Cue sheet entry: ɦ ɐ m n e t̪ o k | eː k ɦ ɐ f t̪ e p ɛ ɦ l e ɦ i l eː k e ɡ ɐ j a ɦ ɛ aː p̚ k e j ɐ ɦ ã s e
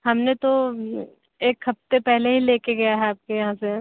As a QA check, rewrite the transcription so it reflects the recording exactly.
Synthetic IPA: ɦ ɐ m n e t̪ o | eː k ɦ ɐ f t̪ e p ɛ ɦ l e ɦ i l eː k e ɡ ɐ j a ɦ ɛ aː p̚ k e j ɐ ɦ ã s e